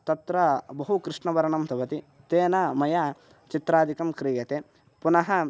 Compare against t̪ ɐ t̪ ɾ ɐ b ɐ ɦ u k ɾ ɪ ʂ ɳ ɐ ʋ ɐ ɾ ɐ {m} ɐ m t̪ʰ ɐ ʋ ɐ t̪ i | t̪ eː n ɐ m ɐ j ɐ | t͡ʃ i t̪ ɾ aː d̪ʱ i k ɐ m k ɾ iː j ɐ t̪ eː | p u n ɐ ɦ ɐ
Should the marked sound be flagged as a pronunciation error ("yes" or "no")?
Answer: yes